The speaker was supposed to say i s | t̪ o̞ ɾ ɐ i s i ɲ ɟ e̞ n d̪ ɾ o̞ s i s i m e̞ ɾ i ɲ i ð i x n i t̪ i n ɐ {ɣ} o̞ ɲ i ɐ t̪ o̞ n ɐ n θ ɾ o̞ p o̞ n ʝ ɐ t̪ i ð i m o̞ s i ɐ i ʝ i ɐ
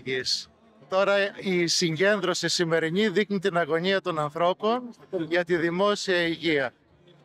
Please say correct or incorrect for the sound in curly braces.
correct